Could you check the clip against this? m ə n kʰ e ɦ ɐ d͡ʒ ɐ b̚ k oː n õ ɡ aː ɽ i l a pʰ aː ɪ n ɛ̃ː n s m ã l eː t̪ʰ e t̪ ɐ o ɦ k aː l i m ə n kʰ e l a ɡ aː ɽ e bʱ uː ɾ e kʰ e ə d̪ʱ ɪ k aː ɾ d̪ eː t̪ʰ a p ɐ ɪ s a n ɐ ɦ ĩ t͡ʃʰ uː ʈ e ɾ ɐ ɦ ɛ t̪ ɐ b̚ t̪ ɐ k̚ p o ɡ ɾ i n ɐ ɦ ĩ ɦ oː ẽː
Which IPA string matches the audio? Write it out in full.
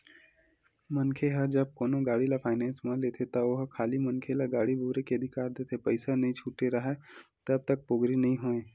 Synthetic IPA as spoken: m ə n kʰ e ɦ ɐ d͡ʒ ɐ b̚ k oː n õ ɡ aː ɽ i l a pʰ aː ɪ n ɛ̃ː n s m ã l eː t̪ʰ e t̪ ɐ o ɦ kʰ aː l i m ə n kʰ e l a ɡ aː ɽ i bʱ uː ɾ e k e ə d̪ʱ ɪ k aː ɾ d̪ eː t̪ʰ e p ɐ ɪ s a n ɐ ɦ ĩ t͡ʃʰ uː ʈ e ɾ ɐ ɦ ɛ t̪ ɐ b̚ t̪ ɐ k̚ p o ɡ ɾ i n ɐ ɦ ĩ ɦ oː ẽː